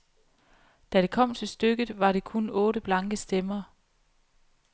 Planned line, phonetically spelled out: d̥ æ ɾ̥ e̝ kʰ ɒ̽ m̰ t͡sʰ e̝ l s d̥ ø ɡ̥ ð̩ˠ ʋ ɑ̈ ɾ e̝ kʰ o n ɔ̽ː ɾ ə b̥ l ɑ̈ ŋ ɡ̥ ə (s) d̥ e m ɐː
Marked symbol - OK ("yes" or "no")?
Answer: yes